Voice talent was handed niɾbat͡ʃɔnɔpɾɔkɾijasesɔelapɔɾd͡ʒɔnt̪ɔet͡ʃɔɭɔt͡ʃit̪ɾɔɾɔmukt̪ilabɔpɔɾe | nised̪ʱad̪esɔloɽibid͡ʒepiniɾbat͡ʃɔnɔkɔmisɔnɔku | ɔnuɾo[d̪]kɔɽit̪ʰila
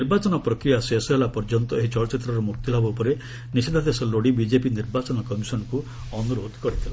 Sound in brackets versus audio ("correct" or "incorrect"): correct